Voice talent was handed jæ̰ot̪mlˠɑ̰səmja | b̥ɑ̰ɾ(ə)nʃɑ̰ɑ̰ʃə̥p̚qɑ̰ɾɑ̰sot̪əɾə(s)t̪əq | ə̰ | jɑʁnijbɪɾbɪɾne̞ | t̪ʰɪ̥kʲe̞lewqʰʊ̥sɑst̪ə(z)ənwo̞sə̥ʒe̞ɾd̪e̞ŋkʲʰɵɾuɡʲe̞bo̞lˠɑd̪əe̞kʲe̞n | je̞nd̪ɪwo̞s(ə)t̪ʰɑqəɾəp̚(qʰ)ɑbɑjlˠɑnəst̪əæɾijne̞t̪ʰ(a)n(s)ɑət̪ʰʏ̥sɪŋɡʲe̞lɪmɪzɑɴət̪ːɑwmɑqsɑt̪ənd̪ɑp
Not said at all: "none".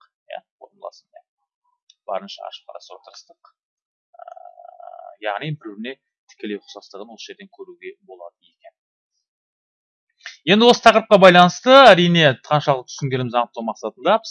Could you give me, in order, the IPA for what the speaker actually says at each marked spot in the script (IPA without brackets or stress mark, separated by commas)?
ə, s, ʁ, ə, q, ɑ, ʃ